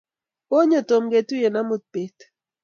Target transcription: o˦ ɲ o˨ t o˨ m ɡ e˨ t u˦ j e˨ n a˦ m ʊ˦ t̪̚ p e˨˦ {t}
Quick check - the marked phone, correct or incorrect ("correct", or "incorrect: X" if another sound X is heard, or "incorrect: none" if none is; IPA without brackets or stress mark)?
correct